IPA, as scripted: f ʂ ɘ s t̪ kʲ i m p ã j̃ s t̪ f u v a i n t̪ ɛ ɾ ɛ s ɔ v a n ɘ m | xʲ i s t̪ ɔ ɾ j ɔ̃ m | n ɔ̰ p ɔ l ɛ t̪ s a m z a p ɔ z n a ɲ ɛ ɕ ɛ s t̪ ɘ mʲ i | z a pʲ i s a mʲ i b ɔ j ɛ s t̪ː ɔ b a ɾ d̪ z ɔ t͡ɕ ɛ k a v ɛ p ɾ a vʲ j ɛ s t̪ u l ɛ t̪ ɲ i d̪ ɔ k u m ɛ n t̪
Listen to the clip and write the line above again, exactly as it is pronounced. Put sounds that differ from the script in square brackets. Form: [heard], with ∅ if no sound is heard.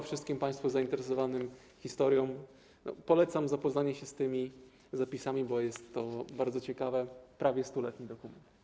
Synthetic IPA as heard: f ʂ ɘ s t̪ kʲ i m p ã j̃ s t̪ f u [z] a i n t̪ ɛ ɾ ɛ s ɔ v a n ɘ m | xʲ i s t̪ ɔ ɾ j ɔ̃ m | n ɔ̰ p ɔ l ɛ t̪ s a m z a p ɔ z n a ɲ ɛ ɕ ɛ s t̪ ɘ mʲ i | z a pʲ i s a mʲ i b ɔ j ɛ s t̪ː ɔ b a ɾ d̪ z ɔ t͡ɕ ɛ k a v ɛ p ɾ a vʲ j ɛ s t̪ u l ɛ t̪ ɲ i d̪ ɔ k u m ɛ n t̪